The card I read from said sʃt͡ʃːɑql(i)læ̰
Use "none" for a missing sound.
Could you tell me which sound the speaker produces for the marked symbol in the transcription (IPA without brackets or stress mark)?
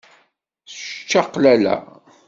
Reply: æ